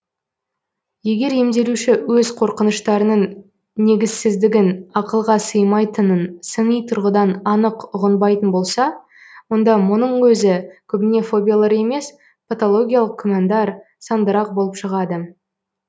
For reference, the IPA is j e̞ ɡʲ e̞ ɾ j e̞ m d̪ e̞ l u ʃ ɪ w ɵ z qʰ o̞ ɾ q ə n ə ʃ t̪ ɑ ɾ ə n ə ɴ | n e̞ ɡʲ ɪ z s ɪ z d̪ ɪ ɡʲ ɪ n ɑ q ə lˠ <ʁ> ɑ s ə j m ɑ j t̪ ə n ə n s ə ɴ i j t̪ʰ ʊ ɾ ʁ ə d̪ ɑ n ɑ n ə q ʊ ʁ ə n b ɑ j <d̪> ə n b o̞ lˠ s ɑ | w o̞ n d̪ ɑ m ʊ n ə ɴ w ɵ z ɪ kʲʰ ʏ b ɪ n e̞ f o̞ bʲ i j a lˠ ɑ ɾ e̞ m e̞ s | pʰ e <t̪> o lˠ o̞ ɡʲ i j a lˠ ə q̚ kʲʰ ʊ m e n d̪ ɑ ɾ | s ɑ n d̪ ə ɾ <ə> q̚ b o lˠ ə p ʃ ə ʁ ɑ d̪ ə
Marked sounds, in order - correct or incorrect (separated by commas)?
correct, incorrect, correct, incorrect